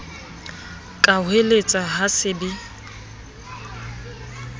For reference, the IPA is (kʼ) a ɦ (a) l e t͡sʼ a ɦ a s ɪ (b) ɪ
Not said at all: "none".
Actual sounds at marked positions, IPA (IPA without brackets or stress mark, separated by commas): kʼ, e, b